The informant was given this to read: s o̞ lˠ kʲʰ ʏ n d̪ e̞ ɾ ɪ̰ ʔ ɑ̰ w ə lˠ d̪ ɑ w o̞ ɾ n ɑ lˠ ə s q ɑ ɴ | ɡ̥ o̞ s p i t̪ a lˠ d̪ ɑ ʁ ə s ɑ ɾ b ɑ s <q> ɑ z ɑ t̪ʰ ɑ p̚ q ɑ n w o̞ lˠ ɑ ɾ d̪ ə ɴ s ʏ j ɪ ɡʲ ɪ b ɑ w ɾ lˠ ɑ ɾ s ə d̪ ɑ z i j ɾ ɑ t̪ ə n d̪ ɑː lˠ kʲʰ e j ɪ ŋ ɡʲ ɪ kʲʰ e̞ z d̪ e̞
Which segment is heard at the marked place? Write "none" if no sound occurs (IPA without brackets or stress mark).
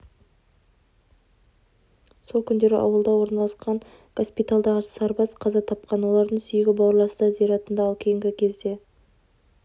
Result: qʰ